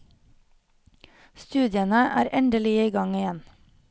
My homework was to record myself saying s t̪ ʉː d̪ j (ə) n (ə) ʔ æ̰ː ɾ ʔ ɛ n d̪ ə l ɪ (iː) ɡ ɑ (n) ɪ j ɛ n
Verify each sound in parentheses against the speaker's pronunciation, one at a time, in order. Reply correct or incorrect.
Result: correct, correct, correct, incorrect

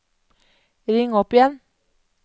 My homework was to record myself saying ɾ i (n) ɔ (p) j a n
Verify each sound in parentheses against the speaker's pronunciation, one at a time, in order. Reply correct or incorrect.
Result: incorrect, correct

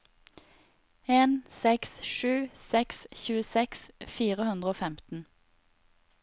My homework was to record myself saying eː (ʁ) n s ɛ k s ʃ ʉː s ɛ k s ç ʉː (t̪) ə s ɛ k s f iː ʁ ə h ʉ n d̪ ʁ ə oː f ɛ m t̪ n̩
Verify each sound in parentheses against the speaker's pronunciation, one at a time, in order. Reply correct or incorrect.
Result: incorrect, incorrect

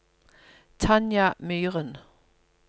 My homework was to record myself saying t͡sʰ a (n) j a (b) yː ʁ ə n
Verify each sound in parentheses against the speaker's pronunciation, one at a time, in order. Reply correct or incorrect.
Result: correct, incorrect

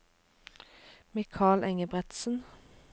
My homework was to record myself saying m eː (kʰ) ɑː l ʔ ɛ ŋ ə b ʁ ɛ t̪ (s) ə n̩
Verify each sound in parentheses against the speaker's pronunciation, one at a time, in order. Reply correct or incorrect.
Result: correct, correct

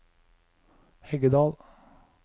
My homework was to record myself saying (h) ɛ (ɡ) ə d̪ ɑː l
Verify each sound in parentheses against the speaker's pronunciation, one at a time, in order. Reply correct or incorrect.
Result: correct, correct

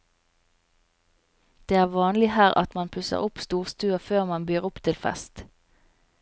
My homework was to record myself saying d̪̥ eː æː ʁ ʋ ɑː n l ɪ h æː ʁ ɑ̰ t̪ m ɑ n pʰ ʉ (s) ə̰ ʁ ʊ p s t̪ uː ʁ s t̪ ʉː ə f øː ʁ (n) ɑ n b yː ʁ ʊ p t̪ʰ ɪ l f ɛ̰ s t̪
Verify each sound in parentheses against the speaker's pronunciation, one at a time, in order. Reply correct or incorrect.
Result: correct, incorrect

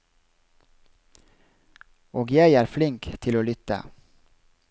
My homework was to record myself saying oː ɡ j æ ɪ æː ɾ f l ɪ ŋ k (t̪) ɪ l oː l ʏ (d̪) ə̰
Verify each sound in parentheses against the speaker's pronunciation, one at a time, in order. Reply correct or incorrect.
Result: incorrect, incorrect

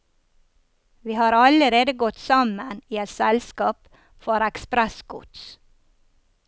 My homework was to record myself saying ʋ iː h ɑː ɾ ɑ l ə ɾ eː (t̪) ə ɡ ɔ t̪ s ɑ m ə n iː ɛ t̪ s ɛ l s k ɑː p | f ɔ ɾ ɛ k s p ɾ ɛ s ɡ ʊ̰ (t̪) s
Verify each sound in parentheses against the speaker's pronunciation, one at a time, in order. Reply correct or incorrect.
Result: incorrect, correct

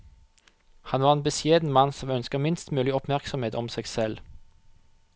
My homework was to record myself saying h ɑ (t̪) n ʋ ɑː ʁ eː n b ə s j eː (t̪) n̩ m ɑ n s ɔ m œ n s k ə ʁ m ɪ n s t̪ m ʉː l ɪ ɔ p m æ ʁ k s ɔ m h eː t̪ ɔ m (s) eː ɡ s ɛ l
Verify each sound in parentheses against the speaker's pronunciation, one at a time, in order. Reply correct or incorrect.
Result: incorrect, incorrect, correct

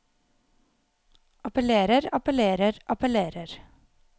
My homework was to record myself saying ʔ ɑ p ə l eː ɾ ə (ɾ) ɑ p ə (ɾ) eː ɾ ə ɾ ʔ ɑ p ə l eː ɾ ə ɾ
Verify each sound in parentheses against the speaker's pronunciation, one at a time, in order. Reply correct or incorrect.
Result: correct, incorrect

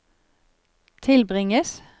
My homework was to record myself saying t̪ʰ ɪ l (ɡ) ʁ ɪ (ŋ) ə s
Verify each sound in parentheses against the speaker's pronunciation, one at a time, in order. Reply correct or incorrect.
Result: incorrect, correct

